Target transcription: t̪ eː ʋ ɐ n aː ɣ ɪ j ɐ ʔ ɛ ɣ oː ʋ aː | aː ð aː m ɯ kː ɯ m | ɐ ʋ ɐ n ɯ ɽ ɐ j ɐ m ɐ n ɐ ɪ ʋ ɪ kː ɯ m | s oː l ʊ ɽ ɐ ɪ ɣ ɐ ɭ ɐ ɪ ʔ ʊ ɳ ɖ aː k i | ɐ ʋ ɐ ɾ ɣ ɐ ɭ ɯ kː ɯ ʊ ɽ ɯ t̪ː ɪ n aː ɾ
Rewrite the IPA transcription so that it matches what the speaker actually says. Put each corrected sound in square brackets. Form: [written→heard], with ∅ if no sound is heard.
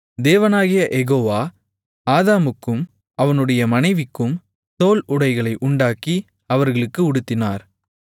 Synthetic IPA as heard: [t̪→d̪] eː ʋ ɐ n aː ɣ ɪ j ɐ ʔ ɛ ɣ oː ʋ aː | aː ð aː m ɯ kː ɯ m | ɐ ʋ ɐ n ɯ ɽ ɐ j ɐ m ɐ n ɐ ɪ ʋ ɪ kː ɯ m | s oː l ʊ ɽ ɐ ɪ ɣ ɐ ɭ ɐ ɪ ʔ ʊ ɳ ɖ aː k i | ɐ ʋ ɐ ɾ ɣ ɐ ɭ ɯ kː ɯ ʊ ɽ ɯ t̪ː ɪ n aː ɾ